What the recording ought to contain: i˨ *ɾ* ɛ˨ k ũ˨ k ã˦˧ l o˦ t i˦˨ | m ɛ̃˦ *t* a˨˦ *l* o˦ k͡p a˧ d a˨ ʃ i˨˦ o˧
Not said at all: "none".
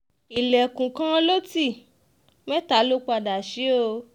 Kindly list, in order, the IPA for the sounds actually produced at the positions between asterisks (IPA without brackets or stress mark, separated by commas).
l, t, l